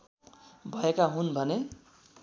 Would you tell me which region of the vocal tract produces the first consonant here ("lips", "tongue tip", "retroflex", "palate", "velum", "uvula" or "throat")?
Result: lips